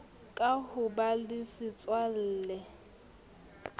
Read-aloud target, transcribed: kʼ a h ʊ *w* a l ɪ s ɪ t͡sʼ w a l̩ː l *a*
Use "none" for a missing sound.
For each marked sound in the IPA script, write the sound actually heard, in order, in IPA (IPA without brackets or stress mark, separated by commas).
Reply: b, ɛ